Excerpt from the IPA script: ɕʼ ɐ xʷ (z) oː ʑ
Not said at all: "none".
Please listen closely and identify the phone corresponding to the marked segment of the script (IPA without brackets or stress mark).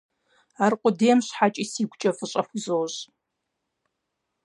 z